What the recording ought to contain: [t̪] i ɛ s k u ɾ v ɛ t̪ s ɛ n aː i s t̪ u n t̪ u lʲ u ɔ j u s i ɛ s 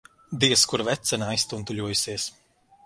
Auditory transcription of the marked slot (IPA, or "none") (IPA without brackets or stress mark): d̪